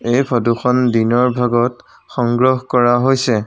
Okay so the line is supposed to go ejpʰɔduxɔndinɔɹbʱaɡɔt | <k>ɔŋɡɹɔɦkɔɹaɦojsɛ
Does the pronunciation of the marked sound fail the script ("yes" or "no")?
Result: yes